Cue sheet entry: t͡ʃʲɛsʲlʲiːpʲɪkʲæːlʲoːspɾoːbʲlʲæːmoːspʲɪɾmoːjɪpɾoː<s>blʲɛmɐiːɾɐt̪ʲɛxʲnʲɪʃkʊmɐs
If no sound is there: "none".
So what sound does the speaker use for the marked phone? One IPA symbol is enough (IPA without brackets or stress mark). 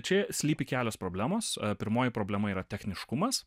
none